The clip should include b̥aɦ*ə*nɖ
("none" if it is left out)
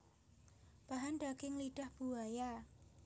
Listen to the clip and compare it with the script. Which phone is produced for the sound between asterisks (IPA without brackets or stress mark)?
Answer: a